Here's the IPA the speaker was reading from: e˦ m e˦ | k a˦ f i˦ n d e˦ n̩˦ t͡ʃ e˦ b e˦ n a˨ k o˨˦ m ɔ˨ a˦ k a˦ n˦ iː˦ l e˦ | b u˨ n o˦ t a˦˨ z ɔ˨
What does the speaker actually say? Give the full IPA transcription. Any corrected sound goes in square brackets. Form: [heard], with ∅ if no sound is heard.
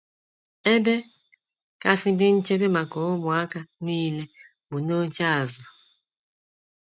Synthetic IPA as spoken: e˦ [b] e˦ | k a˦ f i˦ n d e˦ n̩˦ t͡ʃ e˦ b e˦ [m] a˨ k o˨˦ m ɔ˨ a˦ k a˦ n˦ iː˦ l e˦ | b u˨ n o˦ [t͡ʃ] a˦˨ z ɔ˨